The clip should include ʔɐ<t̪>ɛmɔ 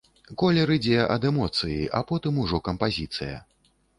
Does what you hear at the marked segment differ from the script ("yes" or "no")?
yes